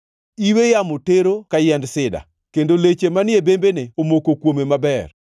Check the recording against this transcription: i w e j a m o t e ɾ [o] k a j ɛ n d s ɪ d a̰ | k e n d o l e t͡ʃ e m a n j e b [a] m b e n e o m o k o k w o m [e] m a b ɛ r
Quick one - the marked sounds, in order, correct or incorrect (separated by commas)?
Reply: correct, incorrect, correct